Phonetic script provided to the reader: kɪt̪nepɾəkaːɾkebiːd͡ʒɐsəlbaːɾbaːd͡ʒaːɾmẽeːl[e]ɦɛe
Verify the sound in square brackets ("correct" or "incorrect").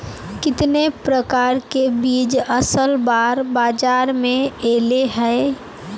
correct